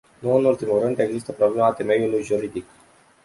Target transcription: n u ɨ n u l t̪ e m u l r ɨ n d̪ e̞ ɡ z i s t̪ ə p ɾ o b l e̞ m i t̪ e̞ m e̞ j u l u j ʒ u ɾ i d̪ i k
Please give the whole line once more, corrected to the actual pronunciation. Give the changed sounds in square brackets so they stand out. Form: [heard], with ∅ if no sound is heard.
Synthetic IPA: n u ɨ n u l t̪ [i] m u l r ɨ n d̪ e̞ ɡ z i s t̪ ə p ɾ o b l e̞ m [a] t̪ e̞ m e̞ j u l u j ʒ u ɾ i d̪ i k